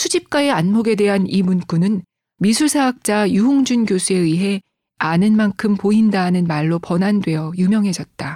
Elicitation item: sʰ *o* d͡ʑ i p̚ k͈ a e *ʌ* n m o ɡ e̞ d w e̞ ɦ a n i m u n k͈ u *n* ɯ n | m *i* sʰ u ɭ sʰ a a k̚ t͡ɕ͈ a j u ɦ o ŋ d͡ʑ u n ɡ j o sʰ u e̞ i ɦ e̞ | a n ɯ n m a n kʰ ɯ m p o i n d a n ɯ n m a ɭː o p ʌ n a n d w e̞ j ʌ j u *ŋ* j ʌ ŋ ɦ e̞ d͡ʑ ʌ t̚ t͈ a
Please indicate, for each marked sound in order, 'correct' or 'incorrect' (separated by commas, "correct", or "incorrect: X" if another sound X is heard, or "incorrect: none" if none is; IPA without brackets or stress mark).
incorrect: u, incorrect: a, correct, correct, incorrect: m